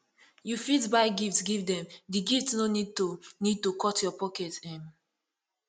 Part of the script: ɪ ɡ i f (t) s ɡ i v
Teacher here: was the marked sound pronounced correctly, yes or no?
yes